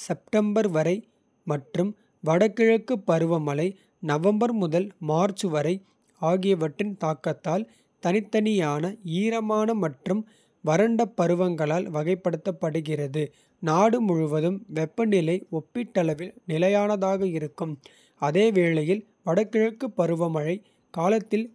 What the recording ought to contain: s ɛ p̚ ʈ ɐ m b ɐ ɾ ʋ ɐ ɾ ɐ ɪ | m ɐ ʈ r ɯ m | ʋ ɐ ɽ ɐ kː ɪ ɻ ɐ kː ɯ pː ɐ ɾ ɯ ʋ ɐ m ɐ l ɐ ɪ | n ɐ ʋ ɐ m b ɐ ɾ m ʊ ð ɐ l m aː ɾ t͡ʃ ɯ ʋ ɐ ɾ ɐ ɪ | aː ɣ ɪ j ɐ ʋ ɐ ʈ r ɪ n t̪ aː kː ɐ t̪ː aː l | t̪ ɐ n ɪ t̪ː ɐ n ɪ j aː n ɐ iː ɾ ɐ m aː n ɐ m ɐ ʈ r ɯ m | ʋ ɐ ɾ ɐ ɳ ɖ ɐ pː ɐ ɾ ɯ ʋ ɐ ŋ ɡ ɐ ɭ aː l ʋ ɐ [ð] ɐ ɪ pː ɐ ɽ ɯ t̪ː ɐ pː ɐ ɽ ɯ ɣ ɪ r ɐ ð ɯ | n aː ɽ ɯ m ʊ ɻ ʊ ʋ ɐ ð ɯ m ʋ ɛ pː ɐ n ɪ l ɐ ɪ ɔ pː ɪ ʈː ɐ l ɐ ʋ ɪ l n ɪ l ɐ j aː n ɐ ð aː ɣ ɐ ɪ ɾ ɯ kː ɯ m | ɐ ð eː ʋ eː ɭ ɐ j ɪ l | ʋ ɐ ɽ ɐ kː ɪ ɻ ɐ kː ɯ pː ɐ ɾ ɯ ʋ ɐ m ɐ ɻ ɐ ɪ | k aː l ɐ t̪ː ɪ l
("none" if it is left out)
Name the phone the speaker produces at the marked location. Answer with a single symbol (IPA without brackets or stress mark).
ɣ